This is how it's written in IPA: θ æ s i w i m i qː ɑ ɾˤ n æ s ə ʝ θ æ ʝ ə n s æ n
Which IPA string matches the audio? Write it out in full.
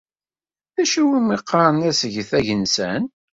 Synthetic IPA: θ æ ʃ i w i m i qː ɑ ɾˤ n æ s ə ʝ θ æ ʝ ə n s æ n